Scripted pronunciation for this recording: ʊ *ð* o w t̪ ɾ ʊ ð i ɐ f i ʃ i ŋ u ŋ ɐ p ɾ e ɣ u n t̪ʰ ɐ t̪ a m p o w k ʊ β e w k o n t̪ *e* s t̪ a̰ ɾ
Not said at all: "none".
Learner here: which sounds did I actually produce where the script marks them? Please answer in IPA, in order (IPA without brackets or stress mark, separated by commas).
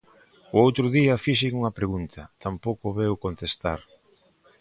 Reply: none, e